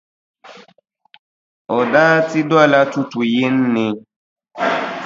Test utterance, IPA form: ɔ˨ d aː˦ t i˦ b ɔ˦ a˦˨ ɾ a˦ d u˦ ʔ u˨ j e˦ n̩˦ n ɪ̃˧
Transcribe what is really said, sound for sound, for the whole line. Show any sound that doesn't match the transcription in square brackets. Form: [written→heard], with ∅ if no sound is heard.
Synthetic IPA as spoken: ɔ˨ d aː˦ t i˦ [b→d] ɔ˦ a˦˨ [ɾ→l] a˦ [d→t] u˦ [ʔ→t] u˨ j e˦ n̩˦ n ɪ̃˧